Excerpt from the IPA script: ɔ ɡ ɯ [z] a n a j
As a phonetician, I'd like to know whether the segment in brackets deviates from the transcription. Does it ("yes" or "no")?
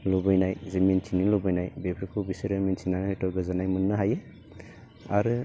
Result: no